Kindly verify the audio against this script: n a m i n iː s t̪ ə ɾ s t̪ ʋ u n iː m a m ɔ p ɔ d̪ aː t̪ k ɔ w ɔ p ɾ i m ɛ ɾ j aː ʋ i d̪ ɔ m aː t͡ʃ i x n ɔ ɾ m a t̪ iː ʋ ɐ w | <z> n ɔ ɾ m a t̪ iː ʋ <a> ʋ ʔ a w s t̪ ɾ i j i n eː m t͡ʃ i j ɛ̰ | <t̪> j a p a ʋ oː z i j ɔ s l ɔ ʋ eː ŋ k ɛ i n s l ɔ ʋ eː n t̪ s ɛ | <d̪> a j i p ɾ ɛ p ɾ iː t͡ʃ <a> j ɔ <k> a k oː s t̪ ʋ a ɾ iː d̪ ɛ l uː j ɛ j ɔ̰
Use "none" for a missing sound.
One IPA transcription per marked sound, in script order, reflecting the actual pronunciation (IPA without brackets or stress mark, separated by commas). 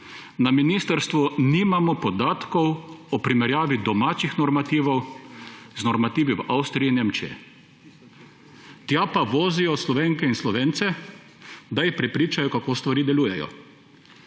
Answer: z, i, t̪, d̪, a, k